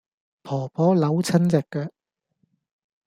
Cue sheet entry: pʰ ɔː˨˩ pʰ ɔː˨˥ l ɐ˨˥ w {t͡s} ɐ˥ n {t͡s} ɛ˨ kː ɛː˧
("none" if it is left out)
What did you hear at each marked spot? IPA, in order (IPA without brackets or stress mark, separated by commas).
t͡sʰ, t͡s